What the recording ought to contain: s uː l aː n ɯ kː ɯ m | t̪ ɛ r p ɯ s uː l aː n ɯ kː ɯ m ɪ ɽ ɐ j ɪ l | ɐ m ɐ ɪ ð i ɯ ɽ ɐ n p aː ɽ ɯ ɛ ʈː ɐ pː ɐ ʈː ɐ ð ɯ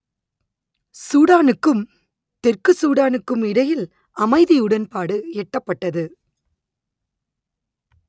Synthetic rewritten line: s uː ɽ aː n ɯ kː ɯ m | t̪ ɛ r k ɯ s uː ɽ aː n ɯ kː ɯ m ɪ ɽ ɐ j ɪ l | ɐ m ɐ ɪ ð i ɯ ɽ ɐ n p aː ɽ ɯ ɛ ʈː ɐ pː ɐ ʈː ɐ ð ɯ